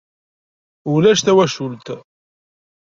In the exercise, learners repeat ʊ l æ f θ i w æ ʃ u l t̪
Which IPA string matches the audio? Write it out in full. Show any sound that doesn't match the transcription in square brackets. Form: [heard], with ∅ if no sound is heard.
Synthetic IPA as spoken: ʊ l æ [ʃ] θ [æ] w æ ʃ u l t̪